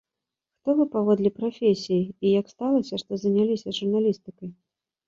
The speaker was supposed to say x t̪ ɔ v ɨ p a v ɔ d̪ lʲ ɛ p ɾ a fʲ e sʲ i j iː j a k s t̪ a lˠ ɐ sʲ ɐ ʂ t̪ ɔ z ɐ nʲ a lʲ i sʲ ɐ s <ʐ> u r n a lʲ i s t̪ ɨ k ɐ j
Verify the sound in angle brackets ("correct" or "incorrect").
correct